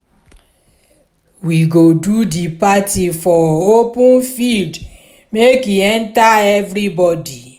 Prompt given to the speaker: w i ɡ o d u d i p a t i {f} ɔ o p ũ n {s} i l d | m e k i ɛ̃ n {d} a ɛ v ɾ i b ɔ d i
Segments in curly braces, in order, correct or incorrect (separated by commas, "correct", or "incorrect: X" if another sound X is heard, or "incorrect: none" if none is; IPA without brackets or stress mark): correct, incorrect: f, incorrect: t